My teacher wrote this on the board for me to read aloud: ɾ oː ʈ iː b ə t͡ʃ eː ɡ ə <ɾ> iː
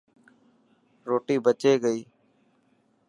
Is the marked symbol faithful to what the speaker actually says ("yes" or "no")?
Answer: no